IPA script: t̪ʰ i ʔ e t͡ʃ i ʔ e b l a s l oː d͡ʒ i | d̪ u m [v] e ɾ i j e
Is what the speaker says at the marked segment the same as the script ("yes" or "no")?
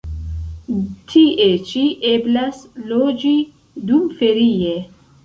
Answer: no